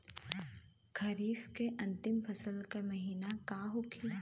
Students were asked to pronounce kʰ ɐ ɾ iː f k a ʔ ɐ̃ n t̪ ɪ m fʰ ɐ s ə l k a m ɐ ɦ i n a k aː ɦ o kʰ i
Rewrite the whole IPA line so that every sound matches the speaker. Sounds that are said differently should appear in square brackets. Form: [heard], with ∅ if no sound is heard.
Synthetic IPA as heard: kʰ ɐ ɾ iː f k [e] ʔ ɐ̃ n t̪ ɪ m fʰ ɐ s ə l k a m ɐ ɦ [iː] n a k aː ɦ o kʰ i